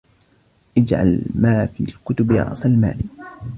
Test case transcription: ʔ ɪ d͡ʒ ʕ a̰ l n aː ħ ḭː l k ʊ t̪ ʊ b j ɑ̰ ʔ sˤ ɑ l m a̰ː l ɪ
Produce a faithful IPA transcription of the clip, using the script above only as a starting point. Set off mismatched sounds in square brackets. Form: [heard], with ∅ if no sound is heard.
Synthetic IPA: ʔ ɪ d͡ʒ ʕ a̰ l [m] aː [f] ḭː l k ʊ t̪ ʊ b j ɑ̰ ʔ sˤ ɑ l m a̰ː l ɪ